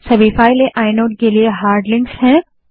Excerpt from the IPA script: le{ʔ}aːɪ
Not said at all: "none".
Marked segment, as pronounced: ʔ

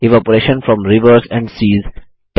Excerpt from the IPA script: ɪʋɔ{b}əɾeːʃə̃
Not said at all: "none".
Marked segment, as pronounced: p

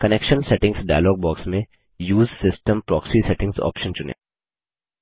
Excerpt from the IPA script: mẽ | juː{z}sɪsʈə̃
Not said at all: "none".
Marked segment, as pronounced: z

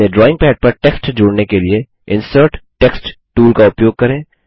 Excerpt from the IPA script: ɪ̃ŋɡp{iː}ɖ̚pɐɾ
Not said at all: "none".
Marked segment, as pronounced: ɛː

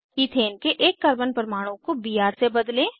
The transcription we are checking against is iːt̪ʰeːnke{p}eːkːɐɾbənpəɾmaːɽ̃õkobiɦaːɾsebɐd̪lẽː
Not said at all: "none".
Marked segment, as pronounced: ʔ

